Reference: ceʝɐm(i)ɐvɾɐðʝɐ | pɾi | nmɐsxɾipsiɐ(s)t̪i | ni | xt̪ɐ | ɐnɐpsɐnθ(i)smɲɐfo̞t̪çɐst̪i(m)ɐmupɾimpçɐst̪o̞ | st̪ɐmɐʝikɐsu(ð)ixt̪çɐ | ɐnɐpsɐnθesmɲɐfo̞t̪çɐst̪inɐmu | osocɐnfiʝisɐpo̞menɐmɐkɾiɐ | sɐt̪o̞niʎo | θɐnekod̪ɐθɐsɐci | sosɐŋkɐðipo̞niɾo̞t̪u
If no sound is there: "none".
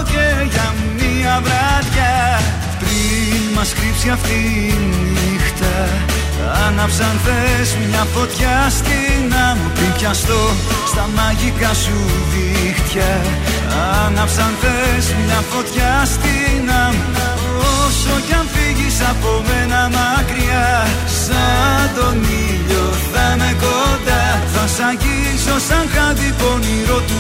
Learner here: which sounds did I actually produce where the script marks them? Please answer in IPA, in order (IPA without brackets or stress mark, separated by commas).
i, f, e, n, ð